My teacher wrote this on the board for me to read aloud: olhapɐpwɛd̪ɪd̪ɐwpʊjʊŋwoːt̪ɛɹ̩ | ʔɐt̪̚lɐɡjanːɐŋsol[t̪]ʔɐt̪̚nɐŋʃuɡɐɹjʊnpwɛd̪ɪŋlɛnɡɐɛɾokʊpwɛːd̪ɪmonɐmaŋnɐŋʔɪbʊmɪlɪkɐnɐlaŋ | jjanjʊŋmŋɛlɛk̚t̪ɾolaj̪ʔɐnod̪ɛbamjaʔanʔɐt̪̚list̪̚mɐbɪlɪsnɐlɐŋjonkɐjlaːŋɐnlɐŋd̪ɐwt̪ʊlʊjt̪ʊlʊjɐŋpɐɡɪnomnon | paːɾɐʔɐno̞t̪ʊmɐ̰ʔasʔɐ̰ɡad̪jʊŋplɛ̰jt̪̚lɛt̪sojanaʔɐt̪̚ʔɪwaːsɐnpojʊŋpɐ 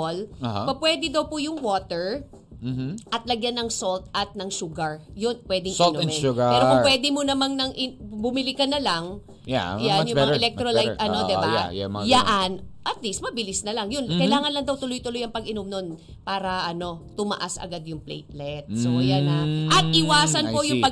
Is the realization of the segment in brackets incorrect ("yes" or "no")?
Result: no